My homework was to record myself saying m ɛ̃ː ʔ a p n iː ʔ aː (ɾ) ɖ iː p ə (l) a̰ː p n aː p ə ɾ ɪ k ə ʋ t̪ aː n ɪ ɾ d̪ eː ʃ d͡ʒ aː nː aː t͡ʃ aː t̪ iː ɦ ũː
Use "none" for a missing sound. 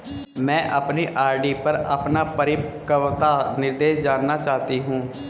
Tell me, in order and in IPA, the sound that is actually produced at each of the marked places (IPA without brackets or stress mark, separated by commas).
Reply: ɾ, ɾ